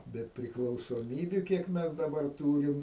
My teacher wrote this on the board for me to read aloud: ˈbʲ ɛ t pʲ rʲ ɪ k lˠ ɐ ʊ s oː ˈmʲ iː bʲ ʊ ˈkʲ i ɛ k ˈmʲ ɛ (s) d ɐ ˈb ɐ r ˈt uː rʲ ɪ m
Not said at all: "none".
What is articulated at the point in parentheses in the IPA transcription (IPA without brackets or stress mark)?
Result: s